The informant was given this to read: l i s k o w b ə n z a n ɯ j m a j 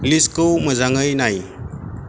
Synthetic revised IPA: l i s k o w m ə z a ŋ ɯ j n a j